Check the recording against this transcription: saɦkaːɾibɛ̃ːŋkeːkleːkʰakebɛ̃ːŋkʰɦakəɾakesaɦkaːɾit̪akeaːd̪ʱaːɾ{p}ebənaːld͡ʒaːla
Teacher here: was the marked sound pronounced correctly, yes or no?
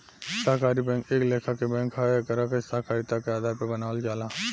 yes